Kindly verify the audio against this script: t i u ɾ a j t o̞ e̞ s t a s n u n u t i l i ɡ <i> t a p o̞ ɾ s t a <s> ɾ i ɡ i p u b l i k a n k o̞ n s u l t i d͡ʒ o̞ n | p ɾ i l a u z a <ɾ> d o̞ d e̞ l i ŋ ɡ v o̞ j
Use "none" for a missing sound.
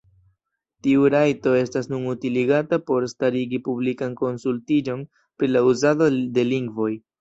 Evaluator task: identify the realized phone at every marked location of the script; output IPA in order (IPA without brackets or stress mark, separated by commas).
a, none, none